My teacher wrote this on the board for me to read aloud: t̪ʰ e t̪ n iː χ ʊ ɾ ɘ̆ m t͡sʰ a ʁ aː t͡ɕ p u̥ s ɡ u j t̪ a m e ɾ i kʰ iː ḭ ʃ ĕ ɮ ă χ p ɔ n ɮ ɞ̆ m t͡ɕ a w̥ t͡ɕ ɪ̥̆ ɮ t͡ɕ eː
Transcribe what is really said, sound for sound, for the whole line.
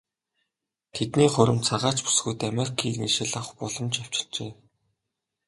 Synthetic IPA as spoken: t̪ʰ e t̪ n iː χ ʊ ɾ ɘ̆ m t͡sʰ a ʁ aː t͡ɕ p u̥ s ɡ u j t̪ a m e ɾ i kʰ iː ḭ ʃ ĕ ɮ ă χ p ɔ ɮ ɞ̆ m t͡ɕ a w̥ t͡ɕ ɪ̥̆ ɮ t͡ɕ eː